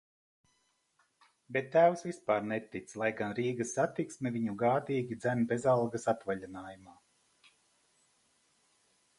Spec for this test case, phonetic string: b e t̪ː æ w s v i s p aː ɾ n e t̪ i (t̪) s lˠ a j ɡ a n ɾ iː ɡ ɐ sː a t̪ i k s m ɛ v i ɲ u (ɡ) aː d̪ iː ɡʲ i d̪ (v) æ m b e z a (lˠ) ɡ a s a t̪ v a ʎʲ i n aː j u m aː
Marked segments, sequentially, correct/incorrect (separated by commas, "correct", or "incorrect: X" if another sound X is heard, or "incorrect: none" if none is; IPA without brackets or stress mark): correct, correct, incorrect: z, correct